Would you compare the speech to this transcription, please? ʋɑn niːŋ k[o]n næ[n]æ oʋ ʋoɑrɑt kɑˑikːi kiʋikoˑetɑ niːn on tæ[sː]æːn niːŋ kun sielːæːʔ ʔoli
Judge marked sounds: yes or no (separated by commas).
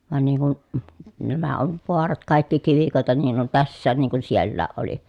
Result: no, no, yes